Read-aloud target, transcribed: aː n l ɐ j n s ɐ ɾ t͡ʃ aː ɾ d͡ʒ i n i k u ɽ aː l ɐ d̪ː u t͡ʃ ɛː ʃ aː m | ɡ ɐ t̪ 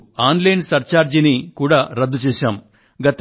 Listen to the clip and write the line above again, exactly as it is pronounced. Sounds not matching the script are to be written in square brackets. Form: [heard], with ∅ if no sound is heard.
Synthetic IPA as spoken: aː n l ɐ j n s ɐ ɾ t͡ʃ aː ɾ d͡ʒ i n i k [uː] ɽ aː [ɾ] ɐ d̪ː u t͡ʃ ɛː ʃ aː m | ɡ ɐ t̪